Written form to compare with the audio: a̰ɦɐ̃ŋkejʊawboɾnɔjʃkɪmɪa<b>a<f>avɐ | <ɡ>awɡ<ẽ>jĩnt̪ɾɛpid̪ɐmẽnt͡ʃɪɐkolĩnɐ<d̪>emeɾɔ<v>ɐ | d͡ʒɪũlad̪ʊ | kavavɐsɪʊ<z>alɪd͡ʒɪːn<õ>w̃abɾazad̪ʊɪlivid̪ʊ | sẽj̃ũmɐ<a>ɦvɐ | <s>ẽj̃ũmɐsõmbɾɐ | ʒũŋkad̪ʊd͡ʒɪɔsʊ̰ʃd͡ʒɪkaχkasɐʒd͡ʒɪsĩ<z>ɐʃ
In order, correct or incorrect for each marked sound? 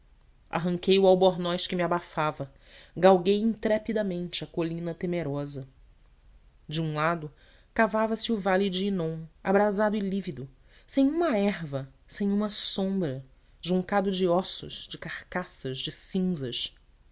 correct, correct, correct, incorrect: e, incorrect: t̪, incorrect: z, incorrect: v, correct, incorrect: ɛ, correct, correct

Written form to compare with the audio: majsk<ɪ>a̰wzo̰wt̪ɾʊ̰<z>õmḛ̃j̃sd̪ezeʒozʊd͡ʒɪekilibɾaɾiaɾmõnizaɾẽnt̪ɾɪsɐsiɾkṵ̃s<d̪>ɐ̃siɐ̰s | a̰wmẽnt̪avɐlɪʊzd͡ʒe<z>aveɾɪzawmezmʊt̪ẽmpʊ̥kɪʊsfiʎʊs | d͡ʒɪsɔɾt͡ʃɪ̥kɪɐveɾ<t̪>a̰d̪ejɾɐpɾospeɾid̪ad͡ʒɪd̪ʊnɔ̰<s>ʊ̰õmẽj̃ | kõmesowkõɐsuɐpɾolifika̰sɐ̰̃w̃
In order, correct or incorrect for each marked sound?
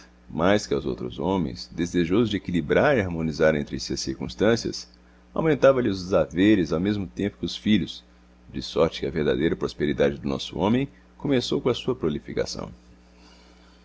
correct, correct, incorrect: t̪, correct, incorrect: d̪, correct

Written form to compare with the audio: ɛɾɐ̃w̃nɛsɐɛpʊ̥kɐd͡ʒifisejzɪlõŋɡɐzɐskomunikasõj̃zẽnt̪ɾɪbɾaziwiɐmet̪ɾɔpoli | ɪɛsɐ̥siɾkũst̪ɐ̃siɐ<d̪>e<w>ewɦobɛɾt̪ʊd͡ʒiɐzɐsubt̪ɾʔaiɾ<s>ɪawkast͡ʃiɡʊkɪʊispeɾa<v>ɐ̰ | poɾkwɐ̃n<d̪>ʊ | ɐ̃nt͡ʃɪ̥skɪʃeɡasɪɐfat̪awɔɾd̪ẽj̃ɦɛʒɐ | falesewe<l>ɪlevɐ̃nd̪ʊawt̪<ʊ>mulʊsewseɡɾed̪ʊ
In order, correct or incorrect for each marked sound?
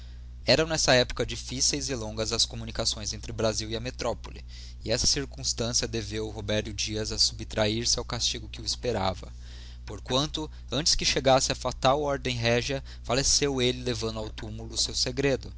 correct, incorrect: v, correct, correct, incorrect: t̪, correct, incorrect: u

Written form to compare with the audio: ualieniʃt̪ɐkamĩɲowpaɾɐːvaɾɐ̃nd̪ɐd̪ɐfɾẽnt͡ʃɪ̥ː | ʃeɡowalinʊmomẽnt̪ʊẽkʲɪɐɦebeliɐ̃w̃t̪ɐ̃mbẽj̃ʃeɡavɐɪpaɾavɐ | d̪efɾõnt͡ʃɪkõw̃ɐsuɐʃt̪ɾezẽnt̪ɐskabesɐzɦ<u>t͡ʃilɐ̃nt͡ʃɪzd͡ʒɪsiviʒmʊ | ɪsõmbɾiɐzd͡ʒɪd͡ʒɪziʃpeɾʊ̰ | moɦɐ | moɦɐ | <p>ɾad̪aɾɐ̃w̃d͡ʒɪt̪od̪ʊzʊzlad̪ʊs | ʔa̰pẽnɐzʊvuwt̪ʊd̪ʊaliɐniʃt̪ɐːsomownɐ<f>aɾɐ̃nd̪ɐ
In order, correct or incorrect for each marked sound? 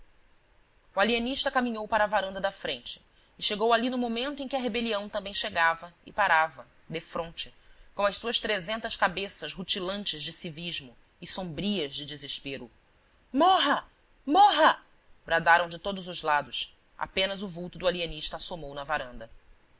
correct, incorrect: b, incorrect: v

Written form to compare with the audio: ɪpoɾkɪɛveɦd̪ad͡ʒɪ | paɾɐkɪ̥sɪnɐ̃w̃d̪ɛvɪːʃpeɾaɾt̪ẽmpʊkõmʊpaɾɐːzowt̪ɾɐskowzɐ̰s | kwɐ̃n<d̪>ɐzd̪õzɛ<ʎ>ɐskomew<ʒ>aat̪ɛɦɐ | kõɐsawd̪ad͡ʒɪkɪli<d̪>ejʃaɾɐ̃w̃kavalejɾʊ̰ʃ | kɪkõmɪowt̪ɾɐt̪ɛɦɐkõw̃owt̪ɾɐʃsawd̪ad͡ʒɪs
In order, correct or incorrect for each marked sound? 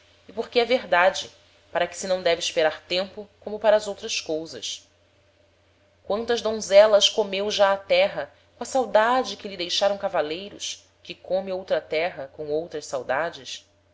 incorrect: t̪, incorrect: l, correct, correct

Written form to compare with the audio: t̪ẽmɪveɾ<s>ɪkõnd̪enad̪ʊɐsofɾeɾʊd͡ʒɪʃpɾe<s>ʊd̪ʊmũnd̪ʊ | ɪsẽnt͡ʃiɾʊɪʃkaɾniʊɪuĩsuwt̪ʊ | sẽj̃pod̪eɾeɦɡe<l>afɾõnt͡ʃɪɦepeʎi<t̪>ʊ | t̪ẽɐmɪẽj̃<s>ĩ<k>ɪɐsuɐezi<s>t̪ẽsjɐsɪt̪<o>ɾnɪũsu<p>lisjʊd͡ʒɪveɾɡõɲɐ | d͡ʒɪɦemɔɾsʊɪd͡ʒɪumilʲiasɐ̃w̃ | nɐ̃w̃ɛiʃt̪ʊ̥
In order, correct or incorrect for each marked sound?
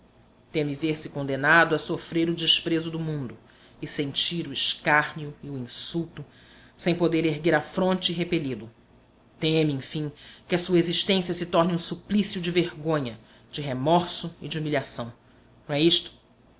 correct, incorrect: z, incorrect: ɾ, incorrect: d̪, incorrect: f, correct, incorrect: ʃ, incorrect: ɔ, correct

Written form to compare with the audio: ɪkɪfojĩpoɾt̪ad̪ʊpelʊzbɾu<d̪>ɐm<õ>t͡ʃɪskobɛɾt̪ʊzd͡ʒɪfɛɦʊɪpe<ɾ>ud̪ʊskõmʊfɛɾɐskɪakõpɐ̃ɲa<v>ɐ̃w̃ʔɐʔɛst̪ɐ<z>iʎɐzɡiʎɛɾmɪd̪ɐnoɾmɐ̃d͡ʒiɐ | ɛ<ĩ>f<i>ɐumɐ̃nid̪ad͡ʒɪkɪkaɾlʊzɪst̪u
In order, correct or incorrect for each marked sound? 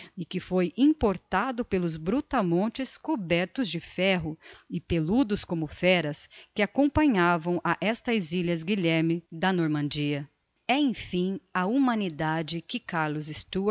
incorrect: t̪, correct, incorrect: l, correct, correct, incorrect: ẽ, incorrect: ĩ

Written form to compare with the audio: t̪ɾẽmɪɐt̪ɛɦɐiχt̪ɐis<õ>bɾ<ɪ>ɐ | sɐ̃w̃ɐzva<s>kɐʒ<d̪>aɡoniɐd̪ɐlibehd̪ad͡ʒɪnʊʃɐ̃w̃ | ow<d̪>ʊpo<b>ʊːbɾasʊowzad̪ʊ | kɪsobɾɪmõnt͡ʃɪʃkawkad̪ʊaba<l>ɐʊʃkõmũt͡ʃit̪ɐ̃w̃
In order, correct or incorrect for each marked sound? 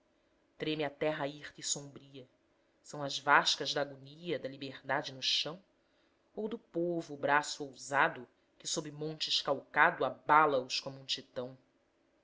correct, incorrect: i, incorrect: ʃ, correct, correct, incorrect: v, correct

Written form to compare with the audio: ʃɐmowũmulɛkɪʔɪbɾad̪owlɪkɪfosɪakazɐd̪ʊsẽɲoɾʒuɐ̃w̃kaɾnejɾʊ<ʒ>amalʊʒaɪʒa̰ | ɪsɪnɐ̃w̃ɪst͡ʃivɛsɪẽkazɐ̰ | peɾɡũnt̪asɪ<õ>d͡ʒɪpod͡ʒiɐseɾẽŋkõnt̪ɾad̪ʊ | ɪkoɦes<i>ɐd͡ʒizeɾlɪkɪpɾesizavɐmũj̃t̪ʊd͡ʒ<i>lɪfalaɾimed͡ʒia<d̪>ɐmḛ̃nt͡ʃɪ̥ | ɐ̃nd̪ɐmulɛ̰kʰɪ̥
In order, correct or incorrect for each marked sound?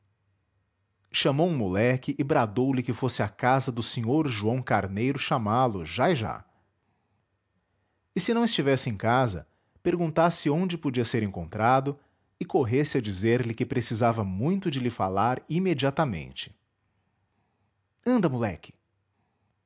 incorrect: ʃ, correct, incorrect: ɪ, incorrect: ɪ, incorrect: t̪

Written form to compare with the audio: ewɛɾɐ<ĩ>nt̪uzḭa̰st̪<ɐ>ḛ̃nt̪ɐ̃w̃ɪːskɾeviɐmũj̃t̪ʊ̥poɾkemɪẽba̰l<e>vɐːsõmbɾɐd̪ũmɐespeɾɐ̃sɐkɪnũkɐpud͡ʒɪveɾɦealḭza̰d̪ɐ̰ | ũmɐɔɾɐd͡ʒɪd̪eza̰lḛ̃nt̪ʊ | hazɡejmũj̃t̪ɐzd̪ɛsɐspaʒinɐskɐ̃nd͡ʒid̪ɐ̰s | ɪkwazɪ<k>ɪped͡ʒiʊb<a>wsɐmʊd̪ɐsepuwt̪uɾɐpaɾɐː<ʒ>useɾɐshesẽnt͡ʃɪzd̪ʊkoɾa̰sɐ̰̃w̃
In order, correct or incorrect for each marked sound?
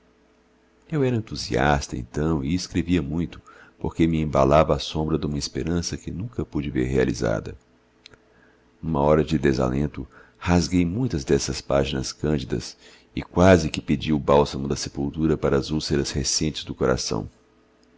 incorrect: ẽ, correct, incorrect: a, correct, correct, incorrect: z

